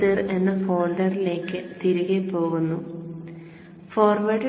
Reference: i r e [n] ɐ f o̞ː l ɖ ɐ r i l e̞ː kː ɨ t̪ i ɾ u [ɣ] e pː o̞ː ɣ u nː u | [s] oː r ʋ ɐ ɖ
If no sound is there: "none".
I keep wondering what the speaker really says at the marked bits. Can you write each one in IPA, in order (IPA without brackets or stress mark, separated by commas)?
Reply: nː, ɣ, f